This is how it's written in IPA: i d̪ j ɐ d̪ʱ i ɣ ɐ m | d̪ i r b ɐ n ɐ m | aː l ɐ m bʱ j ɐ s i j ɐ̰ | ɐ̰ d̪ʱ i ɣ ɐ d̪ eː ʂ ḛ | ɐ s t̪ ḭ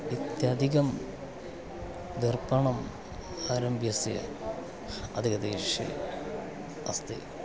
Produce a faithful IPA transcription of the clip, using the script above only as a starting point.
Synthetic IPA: i t̪ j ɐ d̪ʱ i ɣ ɐ m | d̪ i r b ɐ ɳ ɐ m | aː ɾ ɐ m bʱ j ɐ s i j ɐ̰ | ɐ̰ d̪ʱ i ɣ ɐ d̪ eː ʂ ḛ | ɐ s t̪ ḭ